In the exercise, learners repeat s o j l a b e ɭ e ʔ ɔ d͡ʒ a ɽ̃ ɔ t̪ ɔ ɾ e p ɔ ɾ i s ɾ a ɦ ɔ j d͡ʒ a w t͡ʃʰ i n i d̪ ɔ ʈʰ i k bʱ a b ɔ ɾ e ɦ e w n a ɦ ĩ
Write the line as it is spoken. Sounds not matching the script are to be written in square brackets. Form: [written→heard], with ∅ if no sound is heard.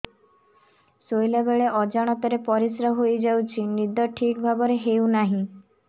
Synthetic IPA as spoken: s o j l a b e ɭ e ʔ ɔ d͡ʒ a ɽ̃ ɔ t̪ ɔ ɾ e p ɔ ɾ i s ɾ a ɦ [ɔ→o] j d͡ʒ a w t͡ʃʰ i n i d̪ ɔ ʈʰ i k bʱ a b ɔ ɾ e ɦ e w n a ɦ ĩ